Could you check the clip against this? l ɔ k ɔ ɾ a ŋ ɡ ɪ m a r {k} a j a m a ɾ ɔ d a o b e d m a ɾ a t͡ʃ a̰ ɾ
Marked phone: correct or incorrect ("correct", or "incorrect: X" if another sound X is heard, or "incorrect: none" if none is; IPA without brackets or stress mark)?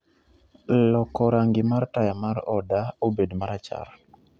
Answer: incorrect: t